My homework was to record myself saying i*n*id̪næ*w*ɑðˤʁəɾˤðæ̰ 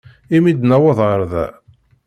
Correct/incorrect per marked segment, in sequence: incorrect, correct

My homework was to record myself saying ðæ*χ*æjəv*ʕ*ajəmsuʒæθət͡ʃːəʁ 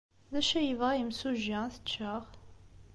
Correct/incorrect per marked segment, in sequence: incorrect, incorrect

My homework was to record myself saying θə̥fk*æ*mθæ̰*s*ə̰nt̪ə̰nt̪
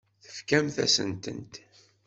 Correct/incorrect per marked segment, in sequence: correct, correct

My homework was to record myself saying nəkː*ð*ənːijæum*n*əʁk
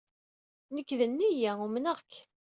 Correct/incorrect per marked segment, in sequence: correct, correct

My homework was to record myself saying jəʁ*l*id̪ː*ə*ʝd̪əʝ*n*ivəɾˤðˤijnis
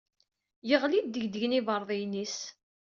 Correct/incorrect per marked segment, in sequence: correct, correct, correct

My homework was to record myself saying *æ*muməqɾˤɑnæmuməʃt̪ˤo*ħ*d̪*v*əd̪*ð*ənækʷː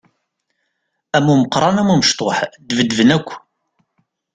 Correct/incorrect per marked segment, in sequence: correct, correct, correct, incorrect

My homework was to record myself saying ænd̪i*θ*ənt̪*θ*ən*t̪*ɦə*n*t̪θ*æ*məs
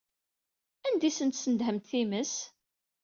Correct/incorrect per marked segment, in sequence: incorrect, incorrect, incorrect, incorrect, incorrect

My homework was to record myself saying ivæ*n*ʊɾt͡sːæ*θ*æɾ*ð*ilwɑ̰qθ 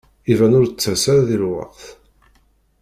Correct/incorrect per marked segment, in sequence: correct, incorrect, correct

